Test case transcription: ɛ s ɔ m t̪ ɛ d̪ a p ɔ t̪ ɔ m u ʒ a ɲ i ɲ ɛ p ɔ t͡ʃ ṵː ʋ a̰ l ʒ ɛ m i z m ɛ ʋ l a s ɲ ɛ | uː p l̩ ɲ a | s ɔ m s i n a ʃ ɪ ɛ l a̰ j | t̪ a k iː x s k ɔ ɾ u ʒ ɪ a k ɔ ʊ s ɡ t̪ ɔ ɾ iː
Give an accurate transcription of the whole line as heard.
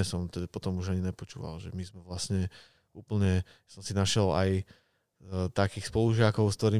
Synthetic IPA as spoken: ɛ s ɔ m t̪ ɛ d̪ a p ɔ t̪ ɔ m u ʒ a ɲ i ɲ ɛ p ɔ t͡ʃ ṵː ʋ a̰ l ʒ ɛ m i z m ɛ ʋ l a s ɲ ɛ | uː p l̩ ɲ ɛ | s ɔ m s i n a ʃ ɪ ɛ l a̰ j | t̪ a k iː x s p ɔ l u ʒ ɪ a k ɔ ʊ s k t̪ ɔ ɾ iː